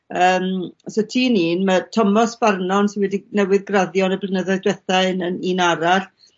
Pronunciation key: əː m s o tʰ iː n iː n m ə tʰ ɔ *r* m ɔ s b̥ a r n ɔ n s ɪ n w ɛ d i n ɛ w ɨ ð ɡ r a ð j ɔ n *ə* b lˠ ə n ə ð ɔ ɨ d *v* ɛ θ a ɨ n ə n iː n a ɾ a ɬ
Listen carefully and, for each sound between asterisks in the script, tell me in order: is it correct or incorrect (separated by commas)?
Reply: incorrect, correct, incorrect